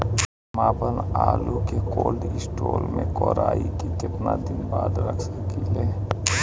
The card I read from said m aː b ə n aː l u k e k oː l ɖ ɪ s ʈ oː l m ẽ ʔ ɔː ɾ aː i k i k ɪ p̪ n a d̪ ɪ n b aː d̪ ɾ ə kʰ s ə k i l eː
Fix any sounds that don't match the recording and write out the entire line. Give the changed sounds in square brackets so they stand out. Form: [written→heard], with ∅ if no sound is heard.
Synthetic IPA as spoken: m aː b ə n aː l u k e k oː l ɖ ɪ s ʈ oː l m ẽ [ʔ→k] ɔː ɾ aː i k i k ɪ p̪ n a d̪ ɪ n b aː d̪ ɾ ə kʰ s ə k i l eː